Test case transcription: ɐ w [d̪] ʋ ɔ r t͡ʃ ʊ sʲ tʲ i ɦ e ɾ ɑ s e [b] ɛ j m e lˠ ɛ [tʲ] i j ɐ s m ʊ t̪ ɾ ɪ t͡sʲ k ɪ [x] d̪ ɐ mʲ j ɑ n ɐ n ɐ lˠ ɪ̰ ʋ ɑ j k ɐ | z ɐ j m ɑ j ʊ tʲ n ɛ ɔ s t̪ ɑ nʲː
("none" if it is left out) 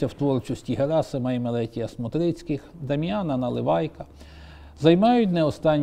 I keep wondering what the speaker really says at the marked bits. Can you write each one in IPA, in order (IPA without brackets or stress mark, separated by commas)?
t̪, m, tʲ, x